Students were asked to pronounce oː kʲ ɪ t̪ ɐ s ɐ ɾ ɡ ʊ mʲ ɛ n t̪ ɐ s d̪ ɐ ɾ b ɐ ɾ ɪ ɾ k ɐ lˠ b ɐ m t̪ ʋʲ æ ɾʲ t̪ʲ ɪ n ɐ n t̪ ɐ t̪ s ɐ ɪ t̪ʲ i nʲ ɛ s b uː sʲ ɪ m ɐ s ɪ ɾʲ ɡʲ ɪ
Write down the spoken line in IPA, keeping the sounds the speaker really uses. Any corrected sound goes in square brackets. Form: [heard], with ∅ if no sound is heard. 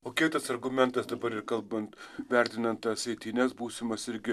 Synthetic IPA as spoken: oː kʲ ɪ t̪ ɐ s ɐ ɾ ɡ ʊ mʲ ɛ n t̪ ɐ s d̪ ɐ [∅] b ɐ ɾ ɪ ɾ k ɐ lˠ b ɐ [n] t̪ ʋʲ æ ɾʲ t̪ʲ ɪ n ɐ n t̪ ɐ [∅] s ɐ ɪ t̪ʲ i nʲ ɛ s b uː sʲ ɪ m ɐ s ɪ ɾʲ ɡʲ ɪ